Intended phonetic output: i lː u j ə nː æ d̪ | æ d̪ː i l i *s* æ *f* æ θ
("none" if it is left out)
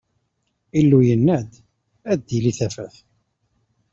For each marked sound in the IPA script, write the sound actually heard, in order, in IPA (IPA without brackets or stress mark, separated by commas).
θ, f